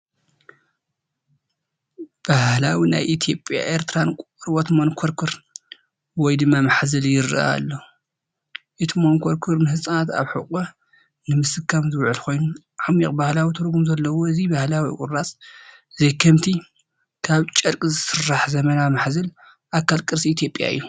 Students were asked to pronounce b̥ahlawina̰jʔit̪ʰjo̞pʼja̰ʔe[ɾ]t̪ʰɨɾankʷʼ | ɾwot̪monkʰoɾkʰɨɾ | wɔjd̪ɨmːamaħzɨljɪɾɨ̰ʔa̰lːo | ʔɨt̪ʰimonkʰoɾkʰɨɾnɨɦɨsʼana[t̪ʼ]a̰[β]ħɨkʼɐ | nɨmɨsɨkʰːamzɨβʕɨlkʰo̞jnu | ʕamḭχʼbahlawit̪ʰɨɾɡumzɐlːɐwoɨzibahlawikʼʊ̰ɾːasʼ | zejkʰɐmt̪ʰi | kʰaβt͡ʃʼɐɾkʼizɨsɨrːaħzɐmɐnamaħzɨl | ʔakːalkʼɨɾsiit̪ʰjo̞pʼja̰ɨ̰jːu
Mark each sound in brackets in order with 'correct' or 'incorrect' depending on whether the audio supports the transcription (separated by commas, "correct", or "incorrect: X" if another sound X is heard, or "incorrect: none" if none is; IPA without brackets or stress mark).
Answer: correct, incorrect: t̪, correct